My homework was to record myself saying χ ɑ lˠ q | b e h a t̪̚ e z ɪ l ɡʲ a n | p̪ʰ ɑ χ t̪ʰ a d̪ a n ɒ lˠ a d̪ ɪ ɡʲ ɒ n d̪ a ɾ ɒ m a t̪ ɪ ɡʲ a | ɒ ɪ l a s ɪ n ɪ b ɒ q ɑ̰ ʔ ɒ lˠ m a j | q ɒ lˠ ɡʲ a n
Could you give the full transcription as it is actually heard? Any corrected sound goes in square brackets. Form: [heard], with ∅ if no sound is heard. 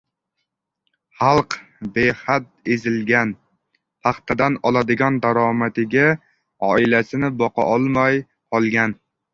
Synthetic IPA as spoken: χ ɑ lˠ q | b e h a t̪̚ e z ɪ l ɡʲ a n | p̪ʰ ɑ χ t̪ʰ a d̪ a n ɒ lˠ a d̪ ɪ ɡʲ ɒ n d̪ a ɾ ɒ m a t̪ ɪ ɡʲ a | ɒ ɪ l a s ɪ n ɪ b ɒ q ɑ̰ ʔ ɒ lˠ m a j | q ɒ lˠ ɡʲ a n

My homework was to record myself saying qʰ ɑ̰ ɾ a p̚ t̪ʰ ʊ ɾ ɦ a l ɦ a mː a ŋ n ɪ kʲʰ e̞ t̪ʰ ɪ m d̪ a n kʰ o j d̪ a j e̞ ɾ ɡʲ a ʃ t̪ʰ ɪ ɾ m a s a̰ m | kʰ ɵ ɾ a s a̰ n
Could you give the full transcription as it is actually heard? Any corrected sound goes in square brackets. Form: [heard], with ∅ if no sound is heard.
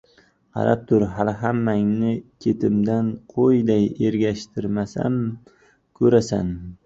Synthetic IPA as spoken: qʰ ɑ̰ ɾ a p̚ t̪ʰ ʊ ɾ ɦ a l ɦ a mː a ŋ n ɪ kʲʰ e̞ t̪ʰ ɪ m d̪ a n [qʰ] o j d̪ a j e̞ ɾ ɡʲ a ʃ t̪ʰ ɪ ɾ m a s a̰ m | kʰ ɵ ɾ a s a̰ n

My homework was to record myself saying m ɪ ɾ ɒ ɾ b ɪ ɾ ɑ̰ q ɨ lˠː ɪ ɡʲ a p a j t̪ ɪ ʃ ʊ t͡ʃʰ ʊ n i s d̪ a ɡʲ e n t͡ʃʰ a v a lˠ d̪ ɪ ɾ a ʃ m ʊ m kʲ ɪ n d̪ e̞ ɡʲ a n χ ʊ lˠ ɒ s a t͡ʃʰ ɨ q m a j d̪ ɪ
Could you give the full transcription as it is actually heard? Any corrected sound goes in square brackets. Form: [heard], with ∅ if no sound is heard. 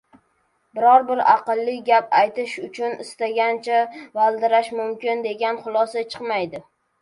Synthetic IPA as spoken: [b] ɪ ɾ ɒ ɾ b ɪ ɾ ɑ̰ q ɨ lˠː ɪ ɡʲ a p a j t̪ ɪ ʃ ʊ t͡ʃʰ ʊ n [ɪ] s [t̪] a ɡʲ [a] n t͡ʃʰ a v a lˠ d̪ ɪ ɾ a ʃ m ʊ m kʲ ɪ n d̪ e̞ ɡʲ a n χ ʊ lˠ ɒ s a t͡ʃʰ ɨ q m a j d̪ ɪ

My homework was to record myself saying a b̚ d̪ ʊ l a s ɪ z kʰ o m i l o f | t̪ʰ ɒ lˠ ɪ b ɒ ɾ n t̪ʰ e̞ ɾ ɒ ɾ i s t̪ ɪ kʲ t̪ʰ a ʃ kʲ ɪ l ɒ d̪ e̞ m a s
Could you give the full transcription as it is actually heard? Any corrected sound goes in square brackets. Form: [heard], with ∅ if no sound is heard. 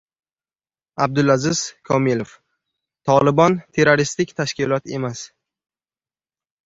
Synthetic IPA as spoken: a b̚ d̪ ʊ l a [z] ɪ z kʰ [ɒ] m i l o f | t̪ʰ ɒ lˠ ɪ b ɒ [∅] n t̪ʰ e̞ ɾ [o] ɾ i s t̪ ɪ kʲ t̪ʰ a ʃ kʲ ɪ l ɒ [t̪] e̞ m a s

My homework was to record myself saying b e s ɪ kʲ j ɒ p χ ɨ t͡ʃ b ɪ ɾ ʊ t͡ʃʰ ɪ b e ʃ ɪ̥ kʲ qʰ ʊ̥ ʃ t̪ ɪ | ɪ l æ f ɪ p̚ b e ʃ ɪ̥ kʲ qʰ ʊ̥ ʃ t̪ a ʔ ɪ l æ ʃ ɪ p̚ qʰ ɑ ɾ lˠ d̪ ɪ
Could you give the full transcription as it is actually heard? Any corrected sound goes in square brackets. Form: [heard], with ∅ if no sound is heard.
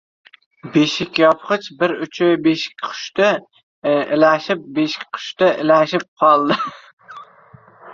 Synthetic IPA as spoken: b e [ʃ] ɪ kʲ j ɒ p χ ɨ t͡ʃ b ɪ ɾ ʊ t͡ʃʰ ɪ b e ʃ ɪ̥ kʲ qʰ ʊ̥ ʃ t̪ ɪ | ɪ l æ [ʃ] ɪ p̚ b e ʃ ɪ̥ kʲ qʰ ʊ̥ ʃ t̪ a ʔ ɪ l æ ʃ ɪ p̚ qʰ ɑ [∅] lˠ d̪ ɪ

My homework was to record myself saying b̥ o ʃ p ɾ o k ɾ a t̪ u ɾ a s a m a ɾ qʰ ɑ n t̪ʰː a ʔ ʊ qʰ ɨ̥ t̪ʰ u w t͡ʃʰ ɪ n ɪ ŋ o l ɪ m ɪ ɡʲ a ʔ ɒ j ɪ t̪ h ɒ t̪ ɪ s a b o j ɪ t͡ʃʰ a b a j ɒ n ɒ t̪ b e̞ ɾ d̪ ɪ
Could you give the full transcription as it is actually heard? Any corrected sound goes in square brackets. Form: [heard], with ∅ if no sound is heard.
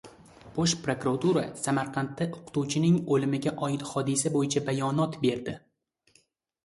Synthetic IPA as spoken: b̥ o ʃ p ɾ o k ɾ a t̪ u ɾ a s a m a ɾ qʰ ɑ n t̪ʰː a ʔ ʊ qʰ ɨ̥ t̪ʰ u w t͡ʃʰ ɪ n ɪ ŋ o l ɪ m ɪ ɡʲ a ʔ ɒ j ɪ t̪ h ɒ [d̪] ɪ s a b o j ɪ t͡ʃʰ a b a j ɒ n ɒ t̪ b e̞ ɾ d̪ ɪ

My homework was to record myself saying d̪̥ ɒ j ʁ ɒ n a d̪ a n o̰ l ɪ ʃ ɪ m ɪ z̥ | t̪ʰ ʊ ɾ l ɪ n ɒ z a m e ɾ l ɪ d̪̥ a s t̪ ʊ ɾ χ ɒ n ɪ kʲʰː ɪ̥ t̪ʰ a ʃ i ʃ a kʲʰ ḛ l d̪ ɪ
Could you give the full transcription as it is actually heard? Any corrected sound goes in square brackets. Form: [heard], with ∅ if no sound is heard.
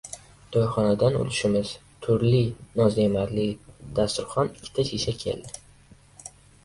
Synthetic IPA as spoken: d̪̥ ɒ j [χ] ɒ n a d̪ a n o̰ l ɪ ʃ ɪ m ɪ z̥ | t̪ʰ ʊ ɾ l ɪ n ɒ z [e] m [a] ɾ l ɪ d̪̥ a s t̪ ʊ ɾ χ ɒ n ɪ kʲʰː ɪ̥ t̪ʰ a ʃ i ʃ a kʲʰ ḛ l d̪ ɪ

